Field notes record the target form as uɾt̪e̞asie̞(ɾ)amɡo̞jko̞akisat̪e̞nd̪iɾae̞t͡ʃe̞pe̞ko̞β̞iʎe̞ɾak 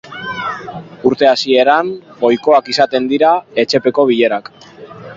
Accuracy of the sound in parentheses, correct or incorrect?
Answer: correct